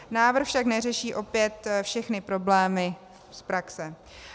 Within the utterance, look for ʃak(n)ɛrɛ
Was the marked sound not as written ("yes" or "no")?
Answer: no